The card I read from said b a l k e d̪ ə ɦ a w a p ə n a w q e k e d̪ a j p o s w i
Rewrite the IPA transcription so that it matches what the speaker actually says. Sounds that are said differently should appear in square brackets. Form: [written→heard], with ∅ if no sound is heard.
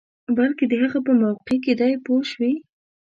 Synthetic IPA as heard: b a l k e d̪ ə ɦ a [w→ɣ] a p ə [n→m] a w q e k e d̪ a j p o [s→ʃ] w i